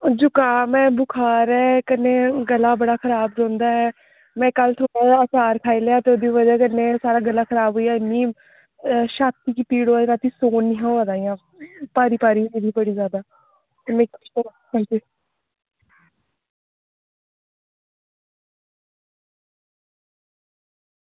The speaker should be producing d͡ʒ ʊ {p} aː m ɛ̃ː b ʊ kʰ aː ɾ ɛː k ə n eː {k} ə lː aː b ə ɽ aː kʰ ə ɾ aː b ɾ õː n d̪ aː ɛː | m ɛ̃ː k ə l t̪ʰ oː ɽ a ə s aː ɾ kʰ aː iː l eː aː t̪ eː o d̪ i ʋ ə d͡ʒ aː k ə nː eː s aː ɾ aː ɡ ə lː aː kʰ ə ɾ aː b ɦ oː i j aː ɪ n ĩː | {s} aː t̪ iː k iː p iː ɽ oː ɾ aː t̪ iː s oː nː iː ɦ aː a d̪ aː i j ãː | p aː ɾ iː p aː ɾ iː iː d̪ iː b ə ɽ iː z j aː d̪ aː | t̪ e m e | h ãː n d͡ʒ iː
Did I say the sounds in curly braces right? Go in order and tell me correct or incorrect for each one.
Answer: incorrect: k, incorrect: ɡ, incorrect: ʃ

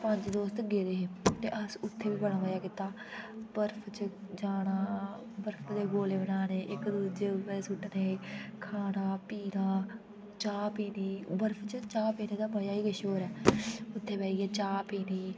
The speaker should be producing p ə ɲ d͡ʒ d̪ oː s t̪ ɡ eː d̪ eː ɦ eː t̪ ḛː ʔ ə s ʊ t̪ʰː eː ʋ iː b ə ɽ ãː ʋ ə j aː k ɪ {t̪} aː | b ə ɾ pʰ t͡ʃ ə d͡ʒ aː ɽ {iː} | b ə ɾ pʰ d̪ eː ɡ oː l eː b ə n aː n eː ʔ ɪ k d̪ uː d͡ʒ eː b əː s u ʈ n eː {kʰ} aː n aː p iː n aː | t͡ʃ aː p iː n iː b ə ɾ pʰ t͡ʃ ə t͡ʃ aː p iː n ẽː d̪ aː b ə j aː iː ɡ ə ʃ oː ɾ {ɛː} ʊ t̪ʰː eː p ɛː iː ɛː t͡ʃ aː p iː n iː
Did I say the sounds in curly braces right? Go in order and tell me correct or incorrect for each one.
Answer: correct, incorrect: aː, correct, correct

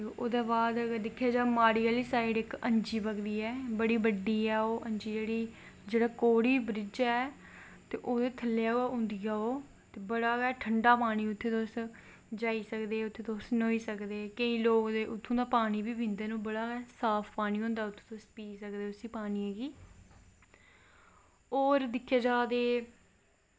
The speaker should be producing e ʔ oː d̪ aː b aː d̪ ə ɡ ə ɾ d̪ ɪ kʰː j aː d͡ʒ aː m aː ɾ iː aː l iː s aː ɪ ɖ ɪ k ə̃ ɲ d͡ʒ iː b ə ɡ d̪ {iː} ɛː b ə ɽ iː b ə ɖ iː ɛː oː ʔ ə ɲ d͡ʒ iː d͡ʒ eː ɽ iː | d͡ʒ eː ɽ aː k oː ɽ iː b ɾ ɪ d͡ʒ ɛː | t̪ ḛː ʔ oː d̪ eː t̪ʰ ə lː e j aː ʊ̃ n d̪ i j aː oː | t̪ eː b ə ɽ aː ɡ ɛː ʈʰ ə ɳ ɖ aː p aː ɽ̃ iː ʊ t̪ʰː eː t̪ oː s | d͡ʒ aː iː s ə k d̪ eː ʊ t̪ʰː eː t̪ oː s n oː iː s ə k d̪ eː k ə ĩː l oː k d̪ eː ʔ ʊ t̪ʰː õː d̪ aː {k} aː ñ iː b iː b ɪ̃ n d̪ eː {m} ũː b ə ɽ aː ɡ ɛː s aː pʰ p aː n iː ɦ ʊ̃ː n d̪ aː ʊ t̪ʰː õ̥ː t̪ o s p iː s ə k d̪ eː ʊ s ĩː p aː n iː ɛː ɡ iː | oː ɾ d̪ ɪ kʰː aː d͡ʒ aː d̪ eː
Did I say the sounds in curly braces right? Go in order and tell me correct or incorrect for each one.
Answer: correct, incorrect: p, incorrect: n

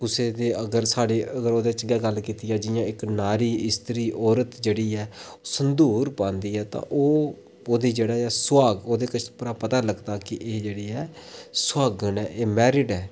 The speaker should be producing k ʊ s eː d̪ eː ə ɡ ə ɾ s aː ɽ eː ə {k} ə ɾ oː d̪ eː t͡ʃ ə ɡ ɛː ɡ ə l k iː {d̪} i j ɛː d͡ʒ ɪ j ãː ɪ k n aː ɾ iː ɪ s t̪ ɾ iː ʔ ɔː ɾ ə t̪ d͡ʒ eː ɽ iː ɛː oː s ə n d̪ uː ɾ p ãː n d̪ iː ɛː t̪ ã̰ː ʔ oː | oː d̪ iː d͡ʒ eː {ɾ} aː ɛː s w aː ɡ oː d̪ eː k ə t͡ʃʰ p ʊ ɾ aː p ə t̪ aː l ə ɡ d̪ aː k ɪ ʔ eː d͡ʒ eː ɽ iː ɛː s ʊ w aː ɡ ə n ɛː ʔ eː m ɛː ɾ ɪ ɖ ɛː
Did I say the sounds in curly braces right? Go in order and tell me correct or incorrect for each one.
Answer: incorrect: ɡ, incorrect: t̪, incorrect: ɽ

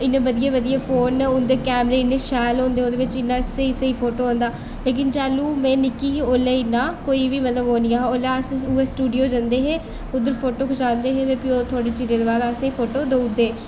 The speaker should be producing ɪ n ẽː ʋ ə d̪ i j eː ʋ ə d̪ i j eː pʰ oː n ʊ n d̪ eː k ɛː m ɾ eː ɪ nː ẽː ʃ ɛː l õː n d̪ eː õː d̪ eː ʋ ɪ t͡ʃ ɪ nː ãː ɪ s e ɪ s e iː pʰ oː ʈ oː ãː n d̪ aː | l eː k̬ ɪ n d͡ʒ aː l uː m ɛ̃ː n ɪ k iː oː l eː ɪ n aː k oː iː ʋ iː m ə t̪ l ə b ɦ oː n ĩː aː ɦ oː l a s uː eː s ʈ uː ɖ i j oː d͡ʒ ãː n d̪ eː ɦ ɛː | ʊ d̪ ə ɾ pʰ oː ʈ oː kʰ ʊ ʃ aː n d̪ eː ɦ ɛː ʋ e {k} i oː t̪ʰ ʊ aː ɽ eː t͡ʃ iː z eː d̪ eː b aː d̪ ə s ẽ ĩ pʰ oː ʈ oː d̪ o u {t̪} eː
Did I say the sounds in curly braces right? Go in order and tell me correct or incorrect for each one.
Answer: incorrect: p, incorrect: d̪

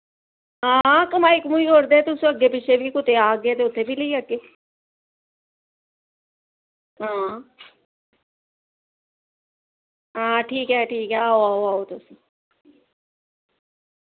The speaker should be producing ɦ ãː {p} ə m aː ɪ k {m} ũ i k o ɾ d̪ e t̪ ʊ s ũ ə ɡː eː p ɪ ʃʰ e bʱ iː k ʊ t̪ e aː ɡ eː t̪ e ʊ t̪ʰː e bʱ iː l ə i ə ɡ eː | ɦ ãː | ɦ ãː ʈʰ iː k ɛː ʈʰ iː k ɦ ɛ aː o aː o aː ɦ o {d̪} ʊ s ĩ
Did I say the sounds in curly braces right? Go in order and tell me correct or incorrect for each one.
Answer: incorrect: k, correct, incorrect: t̪

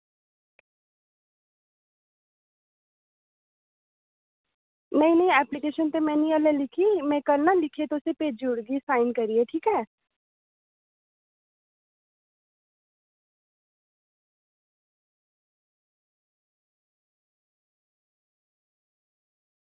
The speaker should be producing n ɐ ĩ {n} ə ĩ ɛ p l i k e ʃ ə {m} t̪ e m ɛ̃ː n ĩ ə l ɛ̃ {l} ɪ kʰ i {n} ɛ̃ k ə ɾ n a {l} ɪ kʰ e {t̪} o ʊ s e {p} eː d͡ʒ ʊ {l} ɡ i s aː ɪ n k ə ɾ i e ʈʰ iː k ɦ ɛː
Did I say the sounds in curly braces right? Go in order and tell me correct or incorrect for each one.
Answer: correct, incorrect: n, correct, incorrect: m, correct, correct, correct, incorrect: ɽ

